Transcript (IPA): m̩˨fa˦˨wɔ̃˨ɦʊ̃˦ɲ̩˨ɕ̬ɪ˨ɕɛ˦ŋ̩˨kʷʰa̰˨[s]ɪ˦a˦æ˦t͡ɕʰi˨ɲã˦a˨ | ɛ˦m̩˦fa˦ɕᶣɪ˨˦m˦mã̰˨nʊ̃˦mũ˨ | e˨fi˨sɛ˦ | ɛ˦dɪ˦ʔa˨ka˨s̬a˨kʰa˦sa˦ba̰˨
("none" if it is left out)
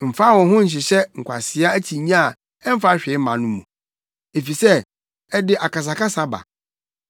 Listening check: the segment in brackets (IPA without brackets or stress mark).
s